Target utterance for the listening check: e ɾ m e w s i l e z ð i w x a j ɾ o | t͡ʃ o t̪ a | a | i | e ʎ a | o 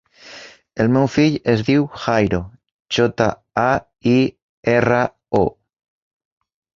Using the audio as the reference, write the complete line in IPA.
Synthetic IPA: e l m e w f i ʎ e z ð i w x a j ɾ o | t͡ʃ o t̪ a | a | i | e r a | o